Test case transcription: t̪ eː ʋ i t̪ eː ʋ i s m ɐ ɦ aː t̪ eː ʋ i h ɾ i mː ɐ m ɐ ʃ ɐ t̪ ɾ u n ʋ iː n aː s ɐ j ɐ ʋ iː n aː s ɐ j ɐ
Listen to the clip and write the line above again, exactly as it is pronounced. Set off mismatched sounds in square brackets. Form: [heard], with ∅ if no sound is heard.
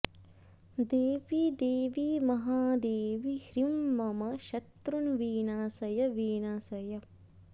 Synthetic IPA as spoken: [d̪] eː ʋ i [d̪] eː ʋ i [∅] m ɐ ɦ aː [d̪] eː ʋ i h ɾ i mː ɐ m ɐ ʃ ɐ t̪ ɾ u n ʋ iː n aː s ɐ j ɐ ʋ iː n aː s ɐ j ɐ